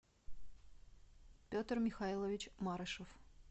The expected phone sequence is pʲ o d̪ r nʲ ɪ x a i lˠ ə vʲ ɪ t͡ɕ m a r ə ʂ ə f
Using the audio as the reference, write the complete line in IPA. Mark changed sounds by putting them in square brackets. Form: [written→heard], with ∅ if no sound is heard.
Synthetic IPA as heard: pʲ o [d̪→t̪] r [nʲ→mʲ] ɪ x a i lˠ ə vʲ ɪ t͡ɕ m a [r→ɾ] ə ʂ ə f